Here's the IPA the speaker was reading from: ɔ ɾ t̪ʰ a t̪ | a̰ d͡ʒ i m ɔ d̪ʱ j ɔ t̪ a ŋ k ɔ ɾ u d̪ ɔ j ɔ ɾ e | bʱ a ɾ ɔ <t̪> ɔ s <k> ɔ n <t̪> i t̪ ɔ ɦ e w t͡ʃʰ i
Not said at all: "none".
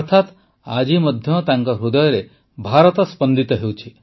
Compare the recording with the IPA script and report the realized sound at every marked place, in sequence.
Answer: t̪, p, d̪

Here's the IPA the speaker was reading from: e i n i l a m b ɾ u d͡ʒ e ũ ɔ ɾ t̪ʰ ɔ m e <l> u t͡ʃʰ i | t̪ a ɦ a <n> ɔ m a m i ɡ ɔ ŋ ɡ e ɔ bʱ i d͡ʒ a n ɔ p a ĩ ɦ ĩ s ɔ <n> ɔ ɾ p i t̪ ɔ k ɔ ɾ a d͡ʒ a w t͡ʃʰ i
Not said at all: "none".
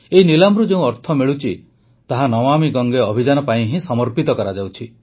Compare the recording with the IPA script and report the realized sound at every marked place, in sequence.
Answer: ɭ, n, m

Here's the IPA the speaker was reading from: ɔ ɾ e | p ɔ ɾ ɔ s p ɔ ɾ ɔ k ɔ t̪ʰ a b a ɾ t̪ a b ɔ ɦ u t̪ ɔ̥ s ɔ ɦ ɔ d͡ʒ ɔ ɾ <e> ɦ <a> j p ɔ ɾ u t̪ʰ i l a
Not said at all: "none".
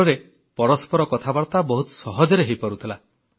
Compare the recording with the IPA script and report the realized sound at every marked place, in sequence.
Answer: e, e

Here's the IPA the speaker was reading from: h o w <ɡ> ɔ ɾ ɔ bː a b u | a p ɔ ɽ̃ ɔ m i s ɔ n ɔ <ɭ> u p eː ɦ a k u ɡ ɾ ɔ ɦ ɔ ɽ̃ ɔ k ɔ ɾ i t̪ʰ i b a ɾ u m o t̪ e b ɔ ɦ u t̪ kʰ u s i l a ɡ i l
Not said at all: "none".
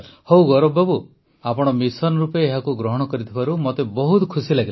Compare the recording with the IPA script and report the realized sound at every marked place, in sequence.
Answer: ɡ, ɾ

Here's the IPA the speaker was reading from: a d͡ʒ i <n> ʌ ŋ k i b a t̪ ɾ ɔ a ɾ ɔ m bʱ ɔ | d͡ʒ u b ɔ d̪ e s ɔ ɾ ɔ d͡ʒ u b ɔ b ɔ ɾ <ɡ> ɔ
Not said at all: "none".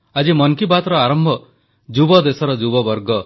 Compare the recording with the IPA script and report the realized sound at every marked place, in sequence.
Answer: m, ɡ

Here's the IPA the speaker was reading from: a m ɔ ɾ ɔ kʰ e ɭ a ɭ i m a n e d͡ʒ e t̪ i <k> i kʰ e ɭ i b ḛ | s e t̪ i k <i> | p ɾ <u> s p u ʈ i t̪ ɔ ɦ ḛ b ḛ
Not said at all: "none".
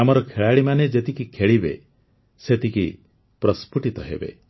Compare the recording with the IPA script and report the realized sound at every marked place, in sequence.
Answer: k, i, ɔ

